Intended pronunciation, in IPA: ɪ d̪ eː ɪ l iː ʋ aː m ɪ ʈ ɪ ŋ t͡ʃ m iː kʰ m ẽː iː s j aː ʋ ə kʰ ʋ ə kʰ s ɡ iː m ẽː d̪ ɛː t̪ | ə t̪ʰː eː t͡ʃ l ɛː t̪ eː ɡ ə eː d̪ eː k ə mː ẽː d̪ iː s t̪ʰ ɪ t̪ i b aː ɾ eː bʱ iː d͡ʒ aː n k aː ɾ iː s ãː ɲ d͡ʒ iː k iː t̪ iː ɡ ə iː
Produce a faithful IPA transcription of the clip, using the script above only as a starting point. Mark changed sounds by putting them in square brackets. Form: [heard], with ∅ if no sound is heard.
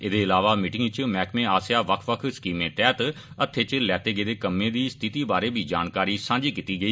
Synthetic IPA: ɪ d̪ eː ɪ l [aː] ʋ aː m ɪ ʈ ɪ ŋ t͡ʃ m [ɛː] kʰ m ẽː [aː] s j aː ʋ ə kʰ ʋ ə kʰ s [k] iː m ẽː [t̪] ɛː t̪ | ə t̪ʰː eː t͡ʃ l ɛː t̪ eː ɡ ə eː d̪ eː k ə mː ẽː d̪ iː s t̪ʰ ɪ t̪ [iː] b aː ɾ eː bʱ iː d͡ʒ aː n k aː ɾ iː s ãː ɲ d͡ʒ iː k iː t̪ iː ɡ ə iː